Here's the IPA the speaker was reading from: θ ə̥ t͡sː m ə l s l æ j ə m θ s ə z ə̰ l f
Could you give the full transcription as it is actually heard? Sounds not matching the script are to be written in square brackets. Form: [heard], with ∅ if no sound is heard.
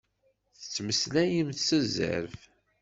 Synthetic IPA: θ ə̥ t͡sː m ə [∅] s l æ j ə m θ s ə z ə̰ [ɾ] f